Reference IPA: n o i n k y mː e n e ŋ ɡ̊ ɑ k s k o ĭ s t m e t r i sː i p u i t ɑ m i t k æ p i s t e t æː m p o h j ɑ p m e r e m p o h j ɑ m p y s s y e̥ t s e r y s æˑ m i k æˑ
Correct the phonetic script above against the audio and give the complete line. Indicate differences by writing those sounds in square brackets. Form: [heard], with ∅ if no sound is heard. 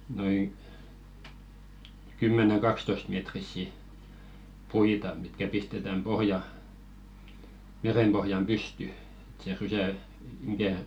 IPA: n o i [ŋ] k y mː e n e ŋ ɡ̊ ɑ k s [t] o ĭ s t m e t r i sː i p u i t ɑ m i t k æ p i s t e t [æ] m p o h j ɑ [∅] m e r e m p o h j ɑ m p y s [t] y e̥ t s e r y s æˑ m i k æˑ